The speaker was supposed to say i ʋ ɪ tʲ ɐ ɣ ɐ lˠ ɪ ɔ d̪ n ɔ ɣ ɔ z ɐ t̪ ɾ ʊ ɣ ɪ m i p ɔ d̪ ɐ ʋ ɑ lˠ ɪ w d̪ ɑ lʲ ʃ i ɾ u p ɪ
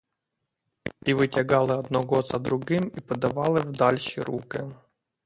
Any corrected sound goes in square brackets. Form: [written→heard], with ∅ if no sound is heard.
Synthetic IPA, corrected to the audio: i ʋ ɪ tʲ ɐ ɣ [ɐ→ɑ] lˠ ɪ ɔ d̪ n ɔ ɣ ɔ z ɐ [t̪→d̪] ɾ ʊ ɣ ɪ m i p ɔ d̪ ɐ ʋ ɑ lˠ ɪ w d̪ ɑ lʲ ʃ i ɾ u [p→k] ɪ